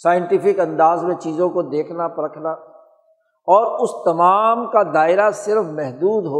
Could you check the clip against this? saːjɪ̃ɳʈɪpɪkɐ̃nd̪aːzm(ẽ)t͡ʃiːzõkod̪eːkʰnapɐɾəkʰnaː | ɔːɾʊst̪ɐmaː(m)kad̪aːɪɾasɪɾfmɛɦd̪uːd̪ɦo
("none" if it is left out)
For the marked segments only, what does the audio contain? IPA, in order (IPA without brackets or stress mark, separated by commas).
ẽ, m